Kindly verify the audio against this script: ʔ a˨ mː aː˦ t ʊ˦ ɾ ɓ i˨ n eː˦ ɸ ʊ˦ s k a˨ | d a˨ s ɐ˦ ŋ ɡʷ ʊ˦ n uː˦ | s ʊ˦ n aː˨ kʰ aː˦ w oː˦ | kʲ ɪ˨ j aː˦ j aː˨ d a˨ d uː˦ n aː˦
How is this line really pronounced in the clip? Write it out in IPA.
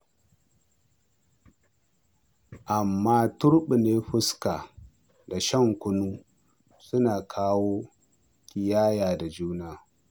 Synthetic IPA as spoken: ʔ a˨ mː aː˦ t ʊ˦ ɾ ɓ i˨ n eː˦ ɸ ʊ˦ s k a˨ | d a˨ ʃ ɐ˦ ŋ kʷ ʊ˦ n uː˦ | s ʊ˦ n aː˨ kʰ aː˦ w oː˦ | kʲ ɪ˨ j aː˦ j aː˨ d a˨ d͡ʒ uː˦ n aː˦